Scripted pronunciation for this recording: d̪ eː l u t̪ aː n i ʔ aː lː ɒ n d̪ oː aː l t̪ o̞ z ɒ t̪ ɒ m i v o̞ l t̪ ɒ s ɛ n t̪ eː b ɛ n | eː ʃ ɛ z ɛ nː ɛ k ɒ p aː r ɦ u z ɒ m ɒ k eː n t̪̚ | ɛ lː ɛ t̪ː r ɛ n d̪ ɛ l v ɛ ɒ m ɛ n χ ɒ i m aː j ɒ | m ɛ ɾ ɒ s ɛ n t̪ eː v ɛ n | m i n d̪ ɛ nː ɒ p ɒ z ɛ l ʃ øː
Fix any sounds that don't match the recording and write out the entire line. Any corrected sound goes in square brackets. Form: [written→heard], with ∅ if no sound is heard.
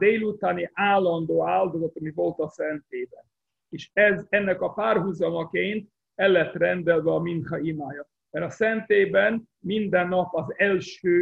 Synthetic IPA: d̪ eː l u t̪ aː n i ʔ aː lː ɒ n d̪ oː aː l [t̪→d̪] o̞ z ɒ t̪ ɒ m i v o̞ l t̪ ɒ s ɛ n t̪ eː b ɛ n | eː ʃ ɛ z ɛ nː ɛ k ɒ p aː r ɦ u z ɒ m ɒ k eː n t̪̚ | ɛ lː ɛ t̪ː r ɛ n d̪ ɛ l v ɛ ɒ m [ɛ→i] n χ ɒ i m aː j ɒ | m ɛ ɾ ɒ s ɛ n t̪ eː [v→b] ɛ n | m i n d̪ ɛ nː ɒ p ɒ z ɛ l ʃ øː